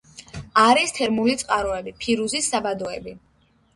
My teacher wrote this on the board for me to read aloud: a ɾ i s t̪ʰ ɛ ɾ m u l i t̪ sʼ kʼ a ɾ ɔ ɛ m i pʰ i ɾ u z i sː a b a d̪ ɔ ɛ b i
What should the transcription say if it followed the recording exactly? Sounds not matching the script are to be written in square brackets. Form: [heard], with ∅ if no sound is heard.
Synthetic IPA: a ɾ i s t̪ʰ ɛ ɾ m u l i t̪ sʼ [qʼ] a ɾ ɔ ɛ [b] i pʰ i ɾ u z i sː a b a d̪ ɔ ɛ b i